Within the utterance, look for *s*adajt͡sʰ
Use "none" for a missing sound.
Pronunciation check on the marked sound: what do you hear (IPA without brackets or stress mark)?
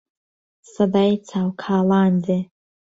s